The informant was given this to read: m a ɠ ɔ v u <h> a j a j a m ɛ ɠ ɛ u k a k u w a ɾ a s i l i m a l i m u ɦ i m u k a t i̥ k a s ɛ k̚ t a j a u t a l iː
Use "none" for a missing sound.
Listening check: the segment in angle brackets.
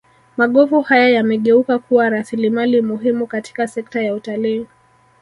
h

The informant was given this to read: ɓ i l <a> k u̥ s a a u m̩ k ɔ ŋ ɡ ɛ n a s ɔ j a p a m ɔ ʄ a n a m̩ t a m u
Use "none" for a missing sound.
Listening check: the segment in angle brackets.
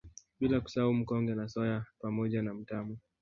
a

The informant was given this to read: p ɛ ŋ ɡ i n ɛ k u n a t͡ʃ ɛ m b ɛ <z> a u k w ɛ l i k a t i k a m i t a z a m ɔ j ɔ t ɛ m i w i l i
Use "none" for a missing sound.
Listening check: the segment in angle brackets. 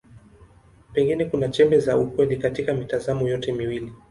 z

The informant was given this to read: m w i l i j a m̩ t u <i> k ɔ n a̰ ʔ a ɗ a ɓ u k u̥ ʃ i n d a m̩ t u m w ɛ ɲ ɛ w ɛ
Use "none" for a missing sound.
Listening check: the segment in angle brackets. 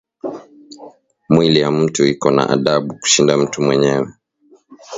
i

